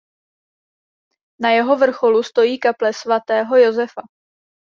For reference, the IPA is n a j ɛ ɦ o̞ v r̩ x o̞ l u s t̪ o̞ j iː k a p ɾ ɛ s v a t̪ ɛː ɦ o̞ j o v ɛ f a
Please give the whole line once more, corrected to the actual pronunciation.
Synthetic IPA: n a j ɛ ɦ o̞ v r̩ x o̞ l u s t̪ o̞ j iː k a p l ɛ s v a t̪ ɛː ɦ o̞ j o z ɛ f a